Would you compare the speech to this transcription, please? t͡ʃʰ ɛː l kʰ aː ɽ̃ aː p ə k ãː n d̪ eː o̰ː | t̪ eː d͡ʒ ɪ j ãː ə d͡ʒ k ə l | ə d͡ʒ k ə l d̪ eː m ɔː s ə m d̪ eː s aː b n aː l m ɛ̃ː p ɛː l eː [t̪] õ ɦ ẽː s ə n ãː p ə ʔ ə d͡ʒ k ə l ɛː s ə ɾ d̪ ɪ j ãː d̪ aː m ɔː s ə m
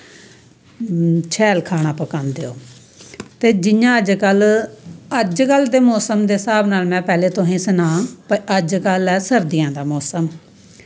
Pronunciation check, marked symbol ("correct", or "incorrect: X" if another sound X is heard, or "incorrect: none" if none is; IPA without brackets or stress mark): correct